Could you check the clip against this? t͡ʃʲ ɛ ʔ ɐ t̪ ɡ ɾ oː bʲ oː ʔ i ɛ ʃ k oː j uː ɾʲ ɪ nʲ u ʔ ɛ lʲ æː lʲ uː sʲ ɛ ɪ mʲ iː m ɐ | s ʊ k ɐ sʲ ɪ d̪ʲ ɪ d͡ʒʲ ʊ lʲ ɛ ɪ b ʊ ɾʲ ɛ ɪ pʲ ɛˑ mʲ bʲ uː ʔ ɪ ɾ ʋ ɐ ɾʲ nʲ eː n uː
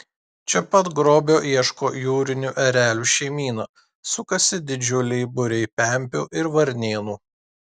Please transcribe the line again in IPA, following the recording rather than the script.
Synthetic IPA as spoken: t͡ʃʲ ɛ p ɐ t̪ ɡ ɾ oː bʲ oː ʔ i ɛ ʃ k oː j uː ɾʲ ɪ nʲ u ʔ ɛ ɾʲ æː lʲ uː ʃʲ ɛ ɪ mʲ iː n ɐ | s ʊ k ɐ sʲ ɪ d̪ʲ ɪ d͡ʒʲ ʊ lʲ ɛ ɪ b ʊ ɾʲ ɛ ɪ pʲ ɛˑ mʲ pʲ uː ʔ ɪ ɾ ʋ ɐ ɾʲ nʲ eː n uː